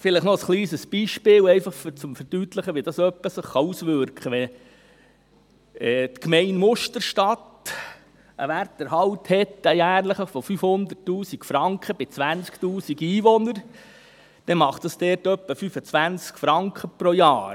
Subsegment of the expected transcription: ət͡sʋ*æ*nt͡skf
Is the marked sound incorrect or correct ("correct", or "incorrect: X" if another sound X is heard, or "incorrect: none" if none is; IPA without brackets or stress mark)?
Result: correct